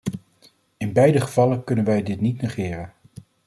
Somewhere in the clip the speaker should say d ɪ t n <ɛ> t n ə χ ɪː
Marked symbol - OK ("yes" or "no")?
no